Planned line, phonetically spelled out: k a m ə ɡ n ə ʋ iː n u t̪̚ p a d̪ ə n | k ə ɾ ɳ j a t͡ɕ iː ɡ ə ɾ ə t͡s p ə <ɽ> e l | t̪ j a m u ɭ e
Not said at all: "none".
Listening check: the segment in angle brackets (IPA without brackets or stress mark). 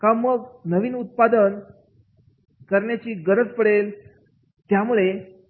ɽ